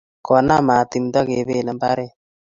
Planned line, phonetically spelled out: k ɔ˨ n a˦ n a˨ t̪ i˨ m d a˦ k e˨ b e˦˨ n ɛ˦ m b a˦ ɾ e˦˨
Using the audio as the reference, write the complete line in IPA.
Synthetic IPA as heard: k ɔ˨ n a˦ m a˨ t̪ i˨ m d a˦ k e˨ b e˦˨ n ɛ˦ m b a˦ ɾ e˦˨